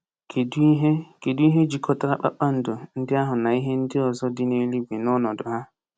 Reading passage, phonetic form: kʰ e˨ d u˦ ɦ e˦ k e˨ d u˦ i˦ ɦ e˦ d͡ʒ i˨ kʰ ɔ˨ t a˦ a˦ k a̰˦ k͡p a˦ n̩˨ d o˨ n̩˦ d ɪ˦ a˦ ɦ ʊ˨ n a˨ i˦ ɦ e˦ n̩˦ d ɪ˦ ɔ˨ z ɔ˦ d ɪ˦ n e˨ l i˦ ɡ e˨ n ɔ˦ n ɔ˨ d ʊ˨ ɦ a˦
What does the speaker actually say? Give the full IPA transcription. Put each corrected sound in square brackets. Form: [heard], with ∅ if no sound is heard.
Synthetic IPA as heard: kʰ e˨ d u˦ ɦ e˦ k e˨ d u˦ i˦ ɦ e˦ d͡ʒ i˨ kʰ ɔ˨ t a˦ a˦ [k͡p] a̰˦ k͡p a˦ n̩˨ d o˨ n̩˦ d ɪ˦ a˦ ɦ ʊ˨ n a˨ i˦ ɦ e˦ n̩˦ d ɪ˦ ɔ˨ z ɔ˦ d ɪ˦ n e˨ l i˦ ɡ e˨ n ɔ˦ n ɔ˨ d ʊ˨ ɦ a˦